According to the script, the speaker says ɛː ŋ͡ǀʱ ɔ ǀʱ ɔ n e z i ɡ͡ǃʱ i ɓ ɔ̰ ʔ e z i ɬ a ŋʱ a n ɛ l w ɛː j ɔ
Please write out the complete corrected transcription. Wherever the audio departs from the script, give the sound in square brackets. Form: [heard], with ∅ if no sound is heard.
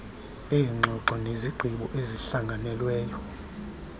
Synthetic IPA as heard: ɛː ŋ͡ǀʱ ɔ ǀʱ ɔ n e z i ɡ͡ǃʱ i ɓ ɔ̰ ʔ e z i ɬ a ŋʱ a n ɛ l w ɛː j ɔ